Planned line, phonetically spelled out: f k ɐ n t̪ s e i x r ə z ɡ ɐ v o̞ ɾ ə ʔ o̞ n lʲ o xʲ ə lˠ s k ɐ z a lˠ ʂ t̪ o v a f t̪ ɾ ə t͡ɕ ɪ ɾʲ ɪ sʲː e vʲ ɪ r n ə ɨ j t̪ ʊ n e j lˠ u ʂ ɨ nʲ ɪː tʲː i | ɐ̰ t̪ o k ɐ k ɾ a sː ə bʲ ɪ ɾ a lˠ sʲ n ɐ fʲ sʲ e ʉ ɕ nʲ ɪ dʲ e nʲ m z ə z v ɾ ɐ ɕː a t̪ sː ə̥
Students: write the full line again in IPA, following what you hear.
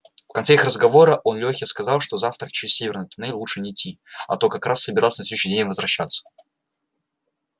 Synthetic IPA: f k ɐ n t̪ s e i x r ə z ɡ ɐ v o̞ ɾ ə ʔ o̞ n lʲ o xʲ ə s k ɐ z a lˠ ʂ t̪ o z a f t̪ ɾ ə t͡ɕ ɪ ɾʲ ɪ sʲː e vʲ ɪ r n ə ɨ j t̪ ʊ n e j lˠ u ʂ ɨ nʲ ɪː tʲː i | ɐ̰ t̪ o k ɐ k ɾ a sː ə bʲ ɪ ɾ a lˠ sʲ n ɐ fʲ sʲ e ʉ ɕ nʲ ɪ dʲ e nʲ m v ə z v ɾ ɐ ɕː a t̪ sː ə̥